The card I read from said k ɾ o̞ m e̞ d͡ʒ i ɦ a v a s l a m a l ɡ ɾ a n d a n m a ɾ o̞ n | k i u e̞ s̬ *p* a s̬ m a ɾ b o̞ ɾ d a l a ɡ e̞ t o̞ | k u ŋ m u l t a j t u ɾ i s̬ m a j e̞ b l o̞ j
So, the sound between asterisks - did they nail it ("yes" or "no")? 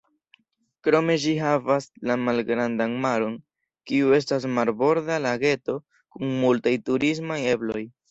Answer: no